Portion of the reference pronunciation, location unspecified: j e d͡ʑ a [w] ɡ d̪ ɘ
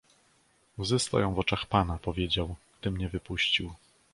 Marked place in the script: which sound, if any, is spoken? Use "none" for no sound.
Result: w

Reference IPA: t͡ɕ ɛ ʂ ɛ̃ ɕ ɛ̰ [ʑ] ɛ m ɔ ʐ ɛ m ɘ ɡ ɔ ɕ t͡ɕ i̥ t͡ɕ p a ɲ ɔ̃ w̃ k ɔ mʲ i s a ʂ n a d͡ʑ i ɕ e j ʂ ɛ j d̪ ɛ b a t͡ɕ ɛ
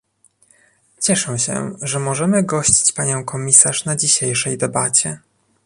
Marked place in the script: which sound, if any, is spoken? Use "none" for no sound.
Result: ʐ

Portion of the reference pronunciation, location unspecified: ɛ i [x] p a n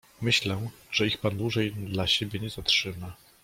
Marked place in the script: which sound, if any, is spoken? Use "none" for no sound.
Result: x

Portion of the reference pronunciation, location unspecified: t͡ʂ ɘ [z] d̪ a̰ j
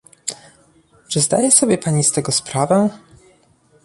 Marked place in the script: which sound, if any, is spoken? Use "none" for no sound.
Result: z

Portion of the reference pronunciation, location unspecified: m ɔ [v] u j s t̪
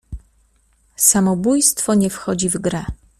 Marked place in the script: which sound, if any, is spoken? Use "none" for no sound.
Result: b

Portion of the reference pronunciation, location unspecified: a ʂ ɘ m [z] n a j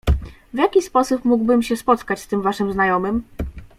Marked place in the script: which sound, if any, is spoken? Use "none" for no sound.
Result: z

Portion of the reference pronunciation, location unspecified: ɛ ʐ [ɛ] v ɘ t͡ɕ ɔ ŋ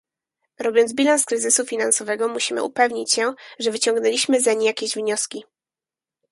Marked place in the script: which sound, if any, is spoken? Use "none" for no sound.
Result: ɛ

